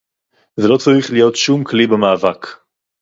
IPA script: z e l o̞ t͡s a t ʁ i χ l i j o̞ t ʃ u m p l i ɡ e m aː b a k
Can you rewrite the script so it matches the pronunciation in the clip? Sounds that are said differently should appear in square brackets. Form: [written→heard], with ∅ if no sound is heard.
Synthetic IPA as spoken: z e l o̞ t͡s a [t→∅] ʁ i χ l i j o̞ t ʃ u m [p→k] l i [ɡ→b] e m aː [b→v] a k